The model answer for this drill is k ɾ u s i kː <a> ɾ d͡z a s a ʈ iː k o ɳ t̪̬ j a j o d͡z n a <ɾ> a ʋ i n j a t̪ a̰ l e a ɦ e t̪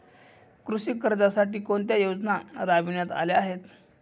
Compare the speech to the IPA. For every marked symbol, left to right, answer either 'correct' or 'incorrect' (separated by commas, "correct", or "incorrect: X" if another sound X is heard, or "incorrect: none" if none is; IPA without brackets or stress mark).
incorrect: ə, correct